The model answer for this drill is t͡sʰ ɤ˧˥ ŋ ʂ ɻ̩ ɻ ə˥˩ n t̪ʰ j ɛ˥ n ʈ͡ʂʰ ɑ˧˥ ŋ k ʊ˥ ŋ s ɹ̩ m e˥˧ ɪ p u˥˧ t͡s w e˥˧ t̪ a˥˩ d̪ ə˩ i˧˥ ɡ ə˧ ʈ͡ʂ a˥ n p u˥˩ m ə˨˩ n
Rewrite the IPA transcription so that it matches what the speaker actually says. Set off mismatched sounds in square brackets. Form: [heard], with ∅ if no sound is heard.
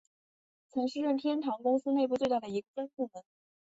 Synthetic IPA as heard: t͡sʰ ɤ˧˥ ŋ ʂ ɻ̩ ɻ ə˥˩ n t̪ʰ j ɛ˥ n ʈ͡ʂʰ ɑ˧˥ ŋ k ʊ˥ ŋ s ɹ̩ [n] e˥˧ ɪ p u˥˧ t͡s w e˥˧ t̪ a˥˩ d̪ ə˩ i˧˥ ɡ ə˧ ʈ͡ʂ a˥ n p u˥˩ m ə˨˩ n